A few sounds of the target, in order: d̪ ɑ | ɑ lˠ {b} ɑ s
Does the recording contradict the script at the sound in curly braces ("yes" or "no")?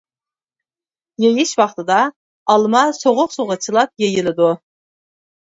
yes